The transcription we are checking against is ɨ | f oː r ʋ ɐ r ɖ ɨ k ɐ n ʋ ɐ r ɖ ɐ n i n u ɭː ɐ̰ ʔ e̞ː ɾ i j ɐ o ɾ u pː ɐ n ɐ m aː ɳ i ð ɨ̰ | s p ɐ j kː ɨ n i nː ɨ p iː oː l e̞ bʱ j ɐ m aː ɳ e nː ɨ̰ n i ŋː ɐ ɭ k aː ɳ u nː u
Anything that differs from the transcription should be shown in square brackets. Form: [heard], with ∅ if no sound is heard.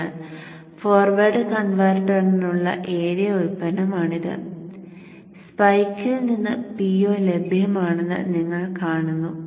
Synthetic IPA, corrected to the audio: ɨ | f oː r ʋ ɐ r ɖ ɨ k ɐ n ʋ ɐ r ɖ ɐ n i n u ɭː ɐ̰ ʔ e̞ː ɾ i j ɐ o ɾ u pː ɐ n ɐ m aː ɳ i ð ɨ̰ | s p ɐ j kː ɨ n i nː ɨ p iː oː l e̞ bʱ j ɐ m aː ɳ e nː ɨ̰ n i ŋː ɐ ɭ k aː ɳ u nː u